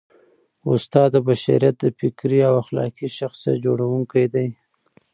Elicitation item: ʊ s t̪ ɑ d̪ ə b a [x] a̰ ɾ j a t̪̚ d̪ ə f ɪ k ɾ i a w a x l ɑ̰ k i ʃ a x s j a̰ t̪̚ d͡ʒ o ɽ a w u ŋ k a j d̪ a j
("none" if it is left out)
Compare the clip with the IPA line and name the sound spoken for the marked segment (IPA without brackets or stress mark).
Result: ʃ